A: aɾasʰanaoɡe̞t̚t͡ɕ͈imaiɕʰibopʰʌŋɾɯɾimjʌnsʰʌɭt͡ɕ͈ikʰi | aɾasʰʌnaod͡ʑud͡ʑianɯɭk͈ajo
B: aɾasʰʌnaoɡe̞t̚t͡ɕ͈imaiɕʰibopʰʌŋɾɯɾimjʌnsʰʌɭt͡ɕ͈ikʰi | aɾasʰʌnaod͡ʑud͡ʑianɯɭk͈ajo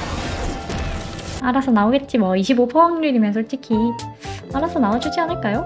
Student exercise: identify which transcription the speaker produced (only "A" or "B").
B